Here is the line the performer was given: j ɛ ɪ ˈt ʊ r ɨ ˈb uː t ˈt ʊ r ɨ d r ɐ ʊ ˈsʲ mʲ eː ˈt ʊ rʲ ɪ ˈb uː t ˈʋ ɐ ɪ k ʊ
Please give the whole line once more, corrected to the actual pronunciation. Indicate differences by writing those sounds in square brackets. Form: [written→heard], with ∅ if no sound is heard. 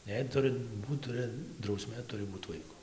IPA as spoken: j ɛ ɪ ˈt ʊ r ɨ ˈb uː t ˈt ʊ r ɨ d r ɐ ʊ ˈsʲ mʲ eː ˈt ʊ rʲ ɪ ˈb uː t ˈʋ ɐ ɪ k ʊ